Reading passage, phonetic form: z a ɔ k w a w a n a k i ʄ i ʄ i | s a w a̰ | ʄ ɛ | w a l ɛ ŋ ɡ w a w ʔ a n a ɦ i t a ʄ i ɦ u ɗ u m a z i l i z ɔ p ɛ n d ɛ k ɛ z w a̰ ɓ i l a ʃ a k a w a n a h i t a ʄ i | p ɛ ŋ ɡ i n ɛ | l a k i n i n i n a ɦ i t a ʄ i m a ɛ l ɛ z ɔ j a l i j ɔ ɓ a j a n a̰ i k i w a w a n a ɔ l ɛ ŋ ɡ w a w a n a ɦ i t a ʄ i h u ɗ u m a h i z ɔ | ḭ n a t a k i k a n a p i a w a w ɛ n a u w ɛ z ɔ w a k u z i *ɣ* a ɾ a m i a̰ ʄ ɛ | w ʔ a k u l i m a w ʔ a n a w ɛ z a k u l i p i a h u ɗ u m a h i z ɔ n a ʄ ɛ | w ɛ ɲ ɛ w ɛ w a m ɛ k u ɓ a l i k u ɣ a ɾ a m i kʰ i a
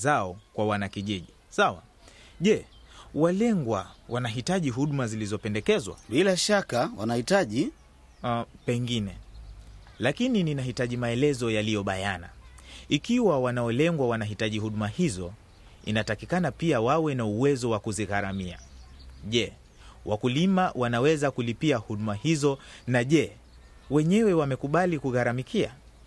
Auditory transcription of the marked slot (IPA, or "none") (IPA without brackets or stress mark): ɣ